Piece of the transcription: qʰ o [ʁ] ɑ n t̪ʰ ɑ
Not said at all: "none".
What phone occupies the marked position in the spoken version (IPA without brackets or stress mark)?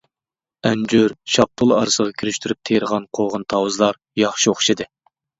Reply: ʁ